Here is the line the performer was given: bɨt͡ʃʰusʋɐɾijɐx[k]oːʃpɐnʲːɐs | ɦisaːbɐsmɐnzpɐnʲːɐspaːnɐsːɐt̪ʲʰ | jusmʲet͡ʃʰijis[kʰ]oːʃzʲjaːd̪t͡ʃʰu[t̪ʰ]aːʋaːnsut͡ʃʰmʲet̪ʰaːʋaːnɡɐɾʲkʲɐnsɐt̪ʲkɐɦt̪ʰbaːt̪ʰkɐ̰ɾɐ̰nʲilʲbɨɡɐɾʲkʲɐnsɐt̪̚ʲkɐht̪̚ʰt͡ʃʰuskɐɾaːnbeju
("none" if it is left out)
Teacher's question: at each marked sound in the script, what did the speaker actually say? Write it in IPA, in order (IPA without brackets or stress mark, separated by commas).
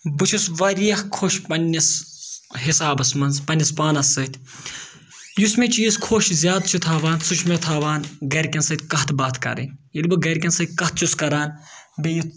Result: kʰ, kʰ, t̪ʰ